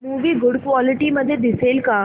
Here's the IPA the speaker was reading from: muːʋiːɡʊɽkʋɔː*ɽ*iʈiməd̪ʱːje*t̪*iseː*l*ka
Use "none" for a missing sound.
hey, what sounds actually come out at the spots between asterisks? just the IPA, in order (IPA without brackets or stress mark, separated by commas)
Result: l, d̪, l